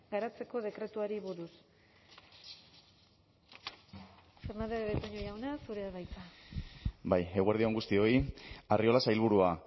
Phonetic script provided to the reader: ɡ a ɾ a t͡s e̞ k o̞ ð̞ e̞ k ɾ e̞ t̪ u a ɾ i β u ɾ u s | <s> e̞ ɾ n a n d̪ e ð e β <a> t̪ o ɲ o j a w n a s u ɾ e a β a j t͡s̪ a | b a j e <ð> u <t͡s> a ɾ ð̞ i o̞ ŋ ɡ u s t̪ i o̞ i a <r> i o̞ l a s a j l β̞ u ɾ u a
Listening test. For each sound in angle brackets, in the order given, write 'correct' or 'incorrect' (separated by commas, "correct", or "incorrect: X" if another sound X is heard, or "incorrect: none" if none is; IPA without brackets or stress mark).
incorrect: f, incorrect: e, incorrect: ɣ, incorrect: none, correct